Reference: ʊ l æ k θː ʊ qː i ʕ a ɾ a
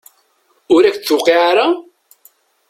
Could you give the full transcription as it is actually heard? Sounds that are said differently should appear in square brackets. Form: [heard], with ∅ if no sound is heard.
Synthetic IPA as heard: ʊ [ɾ] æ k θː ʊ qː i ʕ a ɾ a